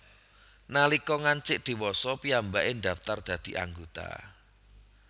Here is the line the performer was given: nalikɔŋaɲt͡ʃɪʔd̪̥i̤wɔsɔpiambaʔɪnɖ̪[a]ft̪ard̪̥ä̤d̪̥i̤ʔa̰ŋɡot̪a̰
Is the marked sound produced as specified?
yes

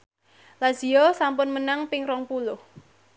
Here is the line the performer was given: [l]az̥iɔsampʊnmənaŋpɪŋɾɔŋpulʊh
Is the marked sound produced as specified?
yes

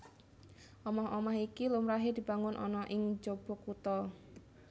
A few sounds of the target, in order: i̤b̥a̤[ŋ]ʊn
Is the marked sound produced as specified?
yes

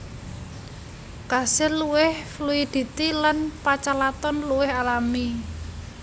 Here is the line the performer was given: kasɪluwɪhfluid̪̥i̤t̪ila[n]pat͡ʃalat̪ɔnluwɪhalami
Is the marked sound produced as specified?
yes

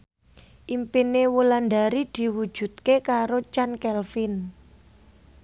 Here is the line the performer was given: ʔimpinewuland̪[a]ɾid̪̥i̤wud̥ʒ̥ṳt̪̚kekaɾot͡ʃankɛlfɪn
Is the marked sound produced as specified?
yes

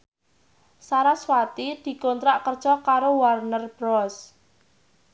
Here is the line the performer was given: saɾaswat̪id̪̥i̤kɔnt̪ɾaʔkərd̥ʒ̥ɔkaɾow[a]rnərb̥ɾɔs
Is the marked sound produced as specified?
yes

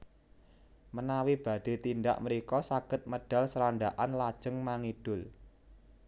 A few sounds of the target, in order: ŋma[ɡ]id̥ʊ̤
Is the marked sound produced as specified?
no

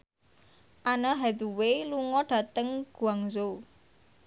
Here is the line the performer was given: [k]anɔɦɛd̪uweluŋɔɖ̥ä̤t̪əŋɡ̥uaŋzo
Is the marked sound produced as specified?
no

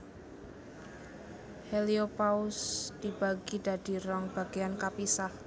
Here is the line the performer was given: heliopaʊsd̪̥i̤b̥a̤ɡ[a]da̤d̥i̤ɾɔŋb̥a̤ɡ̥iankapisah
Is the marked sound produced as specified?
no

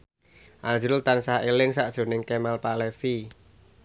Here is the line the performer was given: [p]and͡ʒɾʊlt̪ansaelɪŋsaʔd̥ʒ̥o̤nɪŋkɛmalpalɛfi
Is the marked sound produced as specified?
no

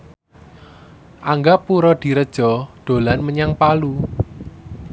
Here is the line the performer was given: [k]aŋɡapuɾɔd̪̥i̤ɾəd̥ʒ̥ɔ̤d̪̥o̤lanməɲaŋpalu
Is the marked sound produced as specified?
no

